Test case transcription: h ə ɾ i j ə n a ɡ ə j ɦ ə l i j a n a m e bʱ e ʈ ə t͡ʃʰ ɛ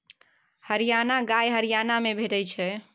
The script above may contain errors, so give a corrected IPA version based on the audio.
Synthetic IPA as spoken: h ə ɾ i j a n a ɡ a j ɦ ə ɾ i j a n a m e bʱ e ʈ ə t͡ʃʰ ɛ